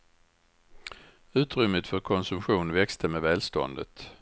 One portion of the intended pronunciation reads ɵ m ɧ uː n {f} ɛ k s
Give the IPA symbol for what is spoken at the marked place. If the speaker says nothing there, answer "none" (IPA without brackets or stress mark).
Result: v